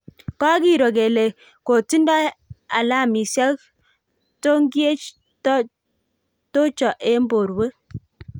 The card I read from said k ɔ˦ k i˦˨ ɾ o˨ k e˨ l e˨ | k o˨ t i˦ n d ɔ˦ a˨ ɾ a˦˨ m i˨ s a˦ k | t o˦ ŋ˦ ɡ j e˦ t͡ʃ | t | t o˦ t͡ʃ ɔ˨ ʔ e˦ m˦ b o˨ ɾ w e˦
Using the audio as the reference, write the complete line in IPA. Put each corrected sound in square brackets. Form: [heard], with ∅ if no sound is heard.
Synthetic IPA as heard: k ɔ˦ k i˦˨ ɾ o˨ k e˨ l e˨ | k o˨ t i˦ n d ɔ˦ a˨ [l] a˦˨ m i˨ s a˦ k | t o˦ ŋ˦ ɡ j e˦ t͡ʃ | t | t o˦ t͡ʃ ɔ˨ ʔ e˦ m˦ b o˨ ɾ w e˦

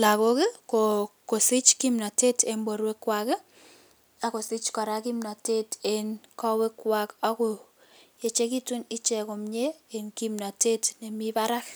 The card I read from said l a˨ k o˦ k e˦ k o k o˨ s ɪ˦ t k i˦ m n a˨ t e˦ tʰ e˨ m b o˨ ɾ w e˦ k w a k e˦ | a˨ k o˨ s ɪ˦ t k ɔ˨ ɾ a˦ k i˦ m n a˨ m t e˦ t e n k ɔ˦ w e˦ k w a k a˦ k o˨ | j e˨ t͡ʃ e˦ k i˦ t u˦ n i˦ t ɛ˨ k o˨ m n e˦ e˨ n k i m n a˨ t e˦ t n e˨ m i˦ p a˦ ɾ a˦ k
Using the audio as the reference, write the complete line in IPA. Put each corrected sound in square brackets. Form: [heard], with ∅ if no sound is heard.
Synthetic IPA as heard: l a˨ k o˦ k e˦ k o k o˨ s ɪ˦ [t͡ʃ] k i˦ m n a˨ t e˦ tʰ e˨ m b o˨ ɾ w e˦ k w a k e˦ | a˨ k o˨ s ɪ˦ [t͡ʃ] k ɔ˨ ɾ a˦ k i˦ m n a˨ [∅] t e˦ t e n k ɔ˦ w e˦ k w a k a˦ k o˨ | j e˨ t͡ʃ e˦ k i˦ t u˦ n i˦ [t͡ʃ] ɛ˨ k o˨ m [ɲ] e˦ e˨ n k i m n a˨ t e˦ t n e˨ m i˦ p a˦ ɾ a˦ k

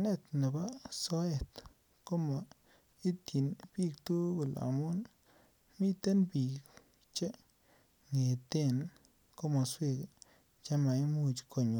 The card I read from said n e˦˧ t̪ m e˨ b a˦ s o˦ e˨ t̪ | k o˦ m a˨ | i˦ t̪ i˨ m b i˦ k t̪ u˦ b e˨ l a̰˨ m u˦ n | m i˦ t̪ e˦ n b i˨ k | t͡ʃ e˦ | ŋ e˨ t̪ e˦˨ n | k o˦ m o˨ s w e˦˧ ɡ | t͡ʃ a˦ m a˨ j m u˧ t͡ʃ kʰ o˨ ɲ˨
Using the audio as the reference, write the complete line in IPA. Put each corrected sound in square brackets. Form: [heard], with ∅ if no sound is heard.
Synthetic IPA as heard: n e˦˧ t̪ [n] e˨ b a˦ s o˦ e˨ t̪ | k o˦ m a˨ | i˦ t̪ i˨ [n] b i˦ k t̪ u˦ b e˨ l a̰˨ m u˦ n | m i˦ t̪ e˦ n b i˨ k | t͡ʃ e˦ | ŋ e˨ t̪ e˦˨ n | k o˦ m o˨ s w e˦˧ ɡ | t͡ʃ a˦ m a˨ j m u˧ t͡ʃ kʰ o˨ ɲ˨

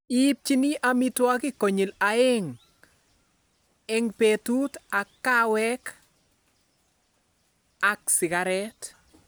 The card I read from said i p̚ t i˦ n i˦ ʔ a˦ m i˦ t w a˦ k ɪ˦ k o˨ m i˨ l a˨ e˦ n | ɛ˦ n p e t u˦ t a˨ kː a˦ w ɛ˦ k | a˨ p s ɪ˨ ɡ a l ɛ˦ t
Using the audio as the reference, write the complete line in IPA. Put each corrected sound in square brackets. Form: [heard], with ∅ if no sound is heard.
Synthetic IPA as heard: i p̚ [t͡ʃ] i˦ n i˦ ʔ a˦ m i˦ t w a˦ k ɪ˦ k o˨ [ɲ] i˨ l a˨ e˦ [ŋ] | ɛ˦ [ŋ] p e t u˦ t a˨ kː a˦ w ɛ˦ k | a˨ [k] s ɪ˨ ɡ a [ɾ] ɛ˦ t

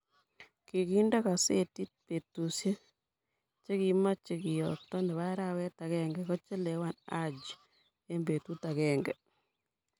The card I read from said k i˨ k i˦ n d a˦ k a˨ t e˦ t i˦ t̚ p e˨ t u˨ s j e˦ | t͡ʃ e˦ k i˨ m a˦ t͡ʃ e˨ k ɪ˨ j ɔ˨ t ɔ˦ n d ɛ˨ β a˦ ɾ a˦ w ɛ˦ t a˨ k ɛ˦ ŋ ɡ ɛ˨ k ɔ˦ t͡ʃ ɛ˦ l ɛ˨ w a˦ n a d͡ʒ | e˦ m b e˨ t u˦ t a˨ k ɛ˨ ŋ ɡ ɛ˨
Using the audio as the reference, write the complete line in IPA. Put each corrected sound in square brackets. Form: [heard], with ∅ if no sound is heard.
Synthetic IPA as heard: k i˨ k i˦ n d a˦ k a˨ [s] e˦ t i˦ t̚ p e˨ t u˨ s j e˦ | t͡ʃ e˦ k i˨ m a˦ t͡ʃ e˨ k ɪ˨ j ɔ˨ t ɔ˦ n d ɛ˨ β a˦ ɾ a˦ w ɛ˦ t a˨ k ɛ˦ ŋ ɡ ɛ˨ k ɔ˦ t͡ʃ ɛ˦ l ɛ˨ w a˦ n a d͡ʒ | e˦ m b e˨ t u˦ t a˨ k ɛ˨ ŋ ɡ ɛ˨

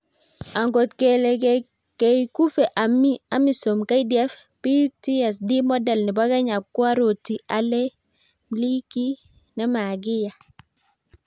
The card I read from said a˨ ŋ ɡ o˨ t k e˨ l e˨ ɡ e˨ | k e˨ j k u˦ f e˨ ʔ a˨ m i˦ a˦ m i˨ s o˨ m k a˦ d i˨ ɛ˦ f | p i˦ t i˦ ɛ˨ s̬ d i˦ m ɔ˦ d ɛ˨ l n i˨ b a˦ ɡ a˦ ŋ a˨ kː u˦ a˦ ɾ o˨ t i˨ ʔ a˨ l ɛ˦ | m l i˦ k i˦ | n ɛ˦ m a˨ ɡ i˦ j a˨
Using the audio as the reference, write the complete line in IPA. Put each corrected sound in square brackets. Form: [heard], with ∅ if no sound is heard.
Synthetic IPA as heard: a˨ ŋ ɡ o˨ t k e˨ l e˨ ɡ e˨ | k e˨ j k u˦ f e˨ ʔ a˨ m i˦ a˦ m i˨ s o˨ m k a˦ d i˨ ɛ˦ f | p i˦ t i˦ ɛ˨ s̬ d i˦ m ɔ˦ d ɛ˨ l n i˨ b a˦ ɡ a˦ [ɲ] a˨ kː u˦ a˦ ɾ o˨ t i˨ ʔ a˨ l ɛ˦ | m l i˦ k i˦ | n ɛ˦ m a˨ ɡ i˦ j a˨

